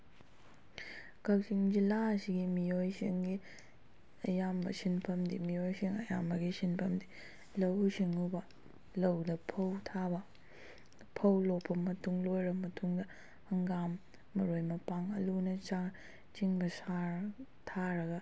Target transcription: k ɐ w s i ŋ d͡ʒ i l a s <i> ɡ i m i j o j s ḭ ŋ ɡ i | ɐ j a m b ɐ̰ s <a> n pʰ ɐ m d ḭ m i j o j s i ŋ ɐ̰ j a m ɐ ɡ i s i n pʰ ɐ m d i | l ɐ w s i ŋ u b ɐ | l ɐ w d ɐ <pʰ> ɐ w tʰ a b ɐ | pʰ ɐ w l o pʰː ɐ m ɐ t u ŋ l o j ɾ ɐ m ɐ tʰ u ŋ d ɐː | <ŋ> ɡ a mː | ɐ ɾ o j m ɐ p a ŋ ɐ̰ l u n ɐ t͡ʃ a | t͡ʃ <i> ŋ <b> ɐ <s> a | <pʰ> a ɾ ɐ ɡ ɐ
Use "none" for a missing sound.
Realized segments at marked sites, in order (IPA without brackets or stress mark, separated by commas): i, i, pʰ, ŋ, i, b, s, tʰ